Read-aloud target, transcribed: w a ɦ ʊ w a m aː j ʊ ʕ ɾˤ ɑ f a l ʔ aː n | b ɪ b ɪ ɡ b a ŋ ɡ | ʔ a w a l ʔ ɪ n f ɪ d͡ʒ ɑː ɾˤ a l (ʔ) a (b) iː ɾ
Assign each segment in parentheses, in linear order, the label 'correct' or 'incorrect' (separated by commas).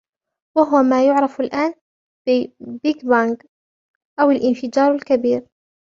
incorrect, correct